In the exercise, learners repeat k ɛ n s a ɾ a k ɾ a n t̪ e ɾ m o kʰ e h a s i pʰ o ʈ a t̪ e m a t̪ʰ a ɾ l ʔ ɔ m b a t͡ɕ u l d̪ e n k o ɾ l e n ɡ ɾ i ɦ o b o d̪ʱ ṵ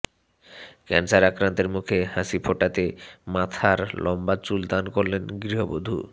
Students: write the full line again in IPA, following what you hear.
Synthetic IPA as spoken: k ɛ n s a ɾ a k ɾ a n t̪ e ɾ m u kʰ e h a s i pʰ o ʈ a t̪ e m a t̪ʰ a ɾ l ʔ ɔ m b a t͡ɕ u l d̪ a n k o ɾ l e n ɡ ɾ i ɦ o b o d̪ʱ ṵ